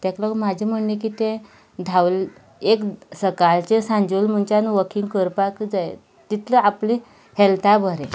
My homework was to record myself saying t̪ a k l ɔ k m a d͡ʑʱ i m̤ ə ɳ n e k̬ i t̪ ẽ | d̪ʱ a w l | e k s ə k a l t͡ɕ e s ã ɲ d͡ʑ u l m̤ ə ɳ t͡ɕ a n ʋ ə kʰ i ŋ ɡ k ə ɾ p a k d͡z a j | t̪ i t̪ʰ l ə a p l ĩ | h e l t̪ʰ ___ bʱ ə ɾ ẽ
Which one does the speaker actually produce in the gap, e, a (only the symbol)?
a